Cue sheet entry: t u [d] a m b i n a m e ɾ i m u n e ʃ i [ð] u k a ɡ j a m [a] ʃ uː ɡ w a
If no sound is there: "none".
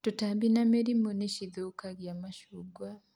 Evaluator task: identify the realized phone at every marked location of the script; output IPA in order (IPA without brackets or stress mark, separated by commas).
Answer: t, ð, a